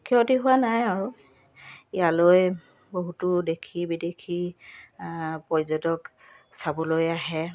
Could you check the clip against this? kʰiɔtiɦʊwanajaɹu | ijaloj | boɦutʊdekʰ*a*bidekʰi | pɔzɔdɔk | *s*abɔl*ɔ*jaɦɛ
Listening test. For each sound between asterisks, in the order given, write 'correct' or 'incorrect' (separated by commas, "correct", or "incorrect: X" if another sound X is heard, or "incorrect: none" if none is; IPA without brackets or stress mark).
incorrect: i, correct, incorrect: o